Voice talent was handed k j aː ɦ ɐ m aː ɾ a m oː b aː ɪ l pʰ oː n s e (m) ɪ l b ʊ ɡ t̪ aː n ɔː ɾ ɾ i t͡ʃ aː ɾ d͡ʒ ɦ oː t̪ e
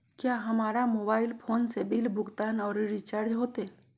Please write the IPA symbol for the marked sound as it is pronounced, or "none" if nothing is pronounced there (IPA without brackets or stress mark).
b